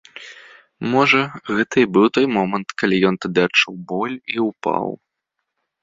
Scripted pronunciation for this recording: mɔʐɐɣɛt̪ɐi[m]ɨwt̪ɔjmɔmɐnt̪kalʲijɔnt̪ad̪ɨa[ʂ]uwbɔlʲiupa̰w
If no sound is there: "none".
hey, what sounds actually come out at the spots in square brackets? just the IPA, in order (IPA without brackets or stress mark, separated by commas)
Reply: b, t͡ʂ